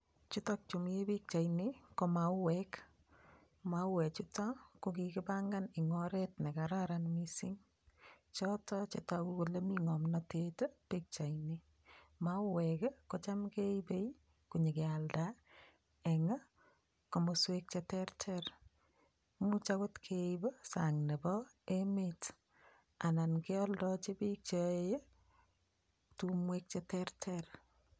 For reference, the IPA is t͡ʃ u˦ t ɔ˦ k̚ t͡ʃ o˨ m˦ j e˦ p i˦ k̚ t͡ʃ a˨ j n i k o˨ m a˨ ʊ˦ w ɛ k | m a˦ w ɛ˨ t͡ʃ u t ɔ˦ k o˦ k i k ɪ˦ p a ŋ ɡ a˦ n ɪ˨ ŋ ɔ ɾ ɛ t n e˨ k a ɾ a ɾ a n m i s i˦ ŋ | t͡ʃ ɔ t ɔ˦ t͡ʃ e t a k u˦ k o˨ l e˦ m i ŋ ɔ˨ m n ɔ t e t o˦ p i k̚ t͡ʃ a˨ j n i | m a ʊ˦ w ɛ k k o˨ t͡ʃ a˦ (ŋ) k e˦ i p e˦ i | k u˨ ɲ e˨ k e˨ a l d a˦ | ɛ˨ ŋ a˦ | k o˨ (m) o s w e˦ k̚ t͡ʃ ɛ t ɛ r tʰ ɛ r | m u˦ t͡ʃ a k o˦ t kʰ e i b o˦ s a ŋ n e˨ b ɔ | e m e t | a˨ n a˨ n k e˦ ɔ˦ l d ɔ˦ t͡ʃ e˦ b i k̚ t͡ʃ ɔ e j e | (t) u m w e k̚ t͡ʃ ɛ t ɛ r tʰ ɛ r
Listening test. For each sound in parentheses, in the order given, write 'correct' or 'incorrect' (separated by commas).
incorrect, correct, correct